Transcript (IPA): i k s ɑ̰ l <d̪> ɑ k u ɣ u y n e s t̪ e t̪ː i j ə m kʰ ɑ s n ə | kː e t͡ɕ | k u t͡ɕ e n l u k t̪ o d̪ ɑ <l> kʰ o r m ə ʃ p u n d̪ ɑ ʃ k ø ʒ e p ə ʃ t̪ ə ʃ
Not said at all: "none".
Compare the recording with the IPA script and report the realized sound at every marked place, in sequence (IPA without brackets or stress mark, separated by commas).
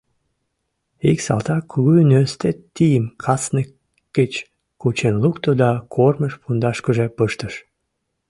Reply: t̪, none